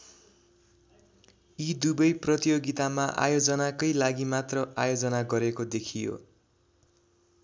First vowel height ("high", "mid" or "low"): high